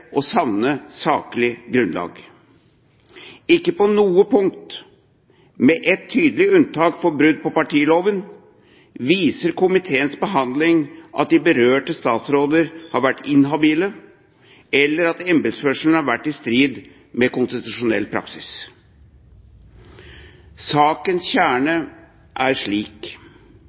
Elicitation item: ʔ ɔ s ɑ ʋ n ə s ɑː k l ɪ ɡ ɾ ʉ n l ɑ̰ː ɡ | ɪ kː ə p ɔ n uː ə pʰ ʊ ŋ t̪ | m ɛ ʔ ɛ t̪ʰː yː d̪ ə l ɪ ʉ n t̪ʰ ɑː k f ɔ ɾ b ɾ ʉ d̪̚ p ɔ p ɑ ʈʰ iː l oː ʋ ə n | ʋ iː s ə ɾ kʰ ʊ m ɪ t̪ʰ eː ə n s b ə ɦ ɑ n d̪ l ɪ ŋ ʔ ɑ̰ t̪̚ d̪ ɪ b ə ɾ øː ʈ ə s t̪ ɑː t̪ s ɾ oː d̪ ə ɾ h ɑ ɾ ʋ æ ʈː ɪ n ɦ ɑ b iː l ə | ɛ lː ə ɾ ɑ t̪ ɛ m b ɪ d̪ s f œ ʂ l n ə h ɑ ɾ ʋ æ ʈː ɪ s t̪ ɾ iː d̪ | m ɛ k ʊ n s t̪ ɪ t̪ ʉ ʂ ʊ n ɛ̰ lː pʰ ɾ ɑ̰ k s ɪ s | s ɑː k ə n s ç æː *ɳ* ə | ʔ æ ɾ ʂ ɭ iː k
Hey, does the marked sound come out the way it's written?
yes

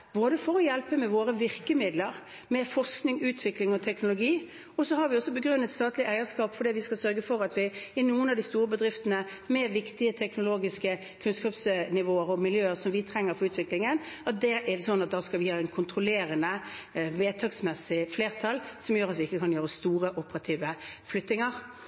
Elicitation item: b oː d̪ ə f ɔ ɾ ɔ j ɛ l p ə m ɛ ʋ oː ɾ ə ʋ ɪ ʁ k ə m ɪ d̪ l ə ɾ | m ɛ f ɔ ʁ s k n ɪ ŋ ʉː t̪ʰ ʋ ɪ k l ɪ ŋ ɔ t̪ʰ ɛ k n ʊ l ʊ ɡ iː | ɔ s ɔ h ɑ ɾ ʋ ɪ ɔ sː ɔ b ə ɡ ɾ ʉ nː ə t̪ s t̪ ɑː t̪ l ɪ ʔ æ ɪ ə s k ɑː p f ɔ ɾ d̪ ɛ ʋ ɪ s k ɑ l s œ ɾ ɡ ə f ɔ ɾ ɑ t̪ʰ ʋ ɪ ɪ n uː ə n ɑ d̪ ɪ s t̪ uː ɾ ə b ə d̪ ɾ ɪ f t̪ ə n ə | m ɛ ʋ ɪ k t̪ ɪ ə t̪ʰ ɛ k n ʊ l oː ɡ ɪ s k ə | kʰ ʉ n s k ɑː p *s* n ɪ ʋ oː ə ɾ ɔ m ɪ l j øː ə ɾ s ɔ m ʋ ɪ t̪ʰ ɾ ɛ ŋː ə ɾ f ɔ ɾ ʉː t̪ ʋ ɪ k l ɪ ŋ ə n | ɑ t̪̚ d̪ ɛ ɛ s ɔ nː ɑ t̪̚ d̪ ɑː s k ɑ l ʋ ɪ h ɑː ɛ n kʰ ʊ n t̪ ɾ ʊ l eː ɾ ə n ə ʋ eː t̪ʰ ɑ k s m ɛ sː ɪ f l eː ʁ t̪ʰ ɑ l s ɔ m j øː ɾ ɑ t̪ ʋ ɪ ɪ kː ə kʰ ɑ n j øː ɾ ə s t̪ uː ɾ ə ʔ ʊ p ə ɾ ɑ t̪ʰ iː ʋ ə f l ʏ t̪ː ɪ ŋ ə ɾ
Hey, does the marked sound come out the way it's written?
yes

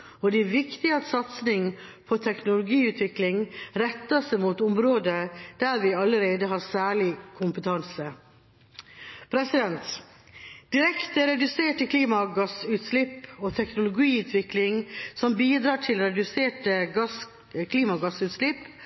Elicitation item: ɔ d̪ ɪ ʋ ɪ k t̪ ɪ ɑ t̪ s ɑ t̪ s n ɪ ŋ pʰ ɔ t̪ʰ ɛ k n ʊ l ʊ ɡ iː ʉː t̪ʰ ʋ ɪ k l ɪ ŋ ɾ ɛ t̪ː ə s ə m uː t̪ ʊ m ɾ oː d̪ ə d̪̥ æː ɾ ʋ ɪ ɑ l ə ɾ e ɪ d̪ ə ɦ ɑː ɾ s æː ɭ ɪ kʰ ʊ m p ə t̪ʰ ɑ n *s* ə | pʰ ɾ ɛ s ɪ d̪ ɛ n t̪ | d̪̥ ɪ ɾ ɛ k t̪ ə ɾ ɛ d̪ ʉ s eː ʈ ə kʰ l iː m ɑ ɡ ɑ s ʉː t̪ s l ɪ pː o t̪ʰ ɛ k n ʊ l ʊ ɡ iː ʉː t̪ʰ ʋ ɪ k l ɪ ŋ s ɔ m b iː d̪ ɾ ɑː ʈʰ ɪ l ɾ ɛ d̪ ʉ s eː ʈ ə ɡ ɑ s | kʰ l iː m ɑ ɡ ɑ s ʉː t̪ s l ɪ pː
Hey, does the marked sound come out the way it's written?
yes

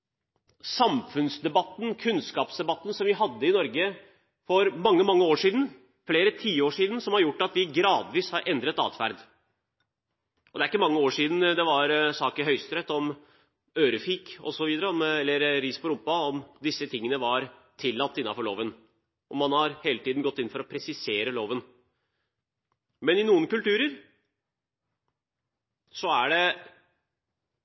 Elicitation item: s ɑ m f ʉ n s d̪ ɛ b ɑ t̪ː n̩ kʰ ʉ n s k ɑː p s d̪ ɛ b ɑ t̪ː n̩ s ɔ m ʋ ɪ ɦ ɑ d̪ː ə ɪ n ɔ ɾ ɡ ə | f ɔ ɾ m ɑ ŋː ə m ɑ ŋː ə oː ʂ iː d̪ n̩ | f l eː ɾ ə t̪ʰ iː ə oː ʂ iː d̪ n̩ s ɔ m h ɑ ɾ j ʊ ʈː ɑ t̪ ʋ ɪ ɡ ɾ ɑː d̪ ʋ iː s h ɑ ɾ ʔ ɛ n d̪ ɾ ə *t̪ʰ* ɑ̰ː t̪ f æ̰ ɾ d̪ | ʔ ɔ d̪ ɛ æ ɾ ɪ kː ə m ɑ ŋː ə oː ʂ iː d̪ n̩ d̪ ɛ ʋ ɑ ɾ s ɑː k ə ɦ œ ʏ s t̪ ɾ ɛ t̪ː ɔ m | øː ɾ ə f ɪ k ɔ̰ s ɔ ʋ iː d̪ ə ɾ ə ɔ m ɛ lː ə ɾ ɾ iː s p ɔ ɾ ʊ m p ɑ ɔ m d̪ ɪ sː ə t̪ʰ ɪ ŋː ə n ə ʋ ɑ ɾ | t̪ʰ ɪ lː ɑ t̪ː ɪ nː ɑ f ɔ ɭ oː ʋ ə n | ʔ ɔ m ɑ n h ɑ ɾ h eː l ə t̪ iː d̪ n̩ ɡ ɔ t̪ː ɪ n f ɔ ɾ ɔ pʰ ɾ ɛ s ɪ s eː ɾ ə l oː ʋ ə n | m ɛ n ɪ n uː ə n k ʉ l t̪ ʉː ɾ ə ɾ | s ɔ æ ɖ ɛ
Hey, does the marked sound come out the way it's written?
no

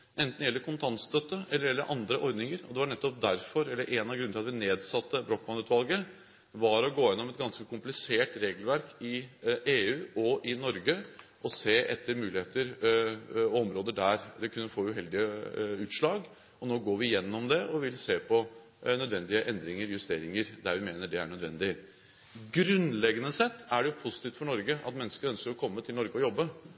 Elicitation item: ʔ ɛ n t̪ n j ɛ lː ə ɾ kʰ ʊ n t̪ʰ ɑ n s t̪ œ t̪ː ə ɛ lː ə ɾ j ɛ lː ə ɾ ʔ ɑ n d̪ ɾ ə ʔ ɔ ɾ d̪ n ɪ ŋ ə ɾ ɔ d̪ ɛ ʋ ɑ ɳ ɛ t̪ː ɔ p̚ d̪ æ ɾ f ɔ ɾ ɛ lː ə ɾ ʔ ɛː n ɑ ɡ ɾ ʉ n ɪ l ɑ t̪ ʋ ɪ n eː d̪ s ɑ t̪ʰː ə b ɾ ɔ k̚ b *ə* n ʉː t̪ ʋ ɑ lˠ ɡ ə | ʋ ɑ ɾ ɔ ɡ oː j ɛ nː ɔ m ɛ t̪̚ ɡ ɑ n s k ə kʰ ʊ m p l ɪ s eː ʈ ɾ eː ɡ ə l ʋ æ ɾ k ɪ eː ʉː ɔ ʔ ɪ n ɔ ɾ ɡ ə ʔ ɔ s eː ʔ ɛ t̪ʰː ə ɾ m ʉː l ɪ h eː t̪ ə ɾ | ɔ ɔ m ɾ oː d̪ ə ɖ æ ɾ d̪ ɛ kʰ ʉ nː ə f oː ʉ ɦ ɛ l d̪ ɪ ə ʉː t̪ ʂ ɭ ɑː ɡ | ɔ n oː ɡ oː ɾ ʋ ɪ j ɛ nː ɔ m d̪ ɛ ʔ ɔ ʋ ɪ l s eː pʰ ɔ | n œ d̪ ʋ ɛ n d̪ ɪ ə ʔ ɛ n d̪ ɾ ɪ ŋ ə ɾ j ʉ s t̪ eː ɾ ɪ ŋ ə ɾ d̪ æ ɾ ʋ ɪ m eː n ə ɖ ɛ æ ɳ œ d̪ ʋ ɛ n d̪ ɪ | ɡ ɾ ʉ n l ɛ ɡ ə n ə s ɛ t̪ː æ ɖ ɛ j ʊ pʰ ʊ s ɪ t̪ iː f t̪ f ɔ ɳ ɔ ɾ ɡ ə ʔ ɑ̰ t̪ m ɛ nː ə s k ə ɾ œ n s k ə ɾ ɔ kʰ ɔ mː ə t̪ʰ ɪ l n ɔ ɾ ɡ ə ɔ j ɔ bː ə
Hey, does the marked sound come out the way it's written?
no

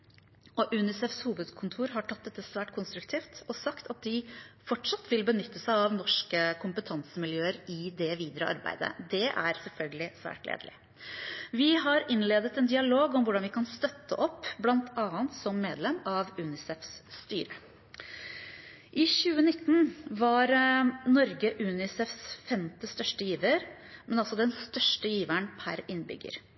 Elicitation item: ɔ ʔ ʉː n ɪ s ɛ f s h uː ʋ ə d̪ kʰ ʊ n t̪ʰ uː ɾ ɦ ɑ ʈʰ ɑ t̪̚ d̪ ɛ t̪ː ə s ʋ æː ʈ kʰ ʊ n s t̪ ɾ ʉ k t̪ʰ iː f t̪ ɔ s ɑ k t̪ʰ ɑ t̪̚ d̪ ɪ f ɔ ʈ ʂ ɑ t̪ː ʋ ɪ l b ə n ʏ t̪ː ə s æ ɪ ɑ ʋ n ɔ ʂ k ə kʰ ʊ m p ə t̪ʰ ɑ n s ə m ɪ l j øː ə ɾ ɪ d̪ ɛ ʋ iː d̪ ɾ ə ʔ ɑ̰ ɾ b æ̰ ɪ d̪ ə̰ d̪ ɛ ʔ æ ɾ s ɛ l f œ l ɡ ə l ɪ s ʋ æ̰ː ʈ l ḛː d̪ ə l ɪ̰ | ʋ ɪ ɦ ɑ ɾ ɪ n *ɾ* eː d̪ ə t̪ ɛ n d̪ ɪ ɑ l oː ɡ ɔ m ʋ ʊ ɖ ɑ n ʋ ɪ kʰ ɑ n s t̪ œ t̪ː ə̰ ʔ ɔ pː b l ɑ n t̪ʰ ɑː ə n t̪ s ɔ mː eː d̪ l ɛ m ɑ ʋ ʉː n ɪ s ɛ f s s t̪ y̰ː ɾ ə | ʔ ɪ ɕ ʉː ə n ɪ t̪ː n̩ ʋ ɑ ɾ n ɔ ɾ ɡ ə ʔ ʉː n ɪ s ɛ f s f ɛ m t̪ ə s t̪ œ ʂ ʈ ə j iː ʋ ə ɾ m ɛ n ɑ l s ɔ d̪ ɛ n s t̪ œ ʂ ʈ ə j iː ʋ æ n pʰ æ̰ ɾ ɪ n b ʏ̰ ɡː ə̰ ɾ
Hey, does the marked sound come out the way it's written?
no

